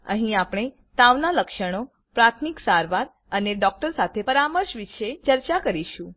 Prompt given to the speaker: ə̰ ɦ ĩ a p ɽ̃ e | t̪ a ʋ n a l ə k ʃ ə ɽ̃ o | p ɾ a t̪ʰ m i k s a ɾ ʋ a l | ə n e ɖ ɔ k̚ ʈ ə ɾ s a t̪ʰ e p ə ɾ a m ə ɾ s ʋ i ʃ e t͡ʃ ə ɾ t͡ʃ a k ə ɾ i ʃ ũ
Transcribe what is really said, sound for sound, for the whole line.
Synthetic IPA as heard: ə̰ ɦ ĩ a p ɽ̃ e | t̪ a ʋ n a l ə k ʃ ə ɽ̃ o | p ɾ a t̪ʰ m i k s a ɾ ʋ a ɾ | ə n e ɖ ɔ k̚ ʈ ə ɾ s a t̪ʰ e p ə ɾ a m ə ɾ ʃ ʋ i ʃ e t͡ʃ ə ɾ t͡ʃ a k ə ɾ i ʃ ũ